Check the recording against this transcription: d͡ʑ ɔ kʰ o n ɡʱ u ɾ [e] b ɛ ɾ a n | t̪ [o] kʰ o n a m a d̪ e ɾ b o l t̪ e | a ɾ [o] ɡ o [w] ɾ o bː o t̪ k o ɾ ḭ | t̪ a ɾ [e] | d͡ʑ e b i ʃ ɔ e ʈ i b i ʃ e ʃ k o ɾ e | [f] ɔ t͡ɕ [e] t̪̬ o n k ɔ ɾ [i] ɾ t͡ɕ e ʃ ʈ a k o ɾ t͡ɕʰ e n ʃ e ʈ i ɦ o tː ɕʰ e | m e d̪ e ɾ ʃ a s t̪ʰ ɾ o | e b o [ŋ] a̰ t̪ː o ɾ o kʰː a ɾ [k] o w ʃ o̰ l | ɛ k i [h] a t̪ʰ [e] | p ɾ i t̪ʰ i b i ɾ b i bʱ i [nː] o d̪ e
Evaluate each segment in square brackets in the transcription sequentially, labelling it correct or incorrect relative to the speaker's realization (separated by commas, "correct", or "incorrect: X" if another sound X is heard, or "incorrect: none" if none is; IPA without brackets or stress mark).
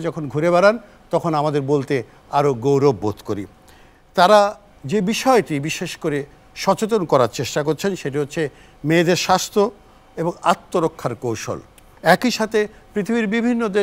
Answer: correct, incorrect: ɔ, correct, correct, incorrect: a, incorrect: ʃ, correct, incorrect: a, correct, correct, incorrect: ʃ, correct, correct